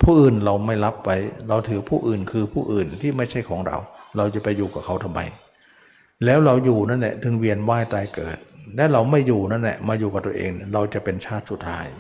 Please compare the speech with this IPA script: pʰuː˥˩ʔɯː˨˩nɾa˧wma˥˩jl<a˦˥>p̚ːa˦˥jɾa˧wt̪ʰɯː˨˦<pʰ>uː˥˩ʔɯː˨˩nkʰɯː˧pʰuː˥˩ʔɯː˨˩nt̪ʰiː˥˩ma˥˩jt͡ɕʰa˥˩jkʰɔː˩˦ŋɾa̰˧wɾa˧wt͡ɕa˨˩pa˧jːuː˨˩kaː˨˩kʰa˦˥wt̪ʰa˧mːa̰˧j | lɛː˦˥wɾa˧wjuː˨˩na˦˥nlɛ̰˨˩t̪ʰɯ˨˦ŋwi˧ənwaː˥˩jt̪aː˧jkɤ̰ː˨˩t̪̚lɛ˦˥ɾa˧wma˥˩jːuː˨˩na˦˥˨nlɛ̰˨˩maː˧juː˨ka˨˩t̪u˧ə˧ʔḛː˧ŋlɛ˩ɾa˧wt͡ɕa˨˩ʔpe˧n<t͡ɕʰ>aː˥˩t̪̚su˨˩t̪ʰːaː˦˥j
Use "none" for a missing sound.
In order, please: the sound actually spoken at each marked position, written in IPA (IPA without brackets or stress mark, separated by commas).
a˦˥, pʰ, t͡ɕʰ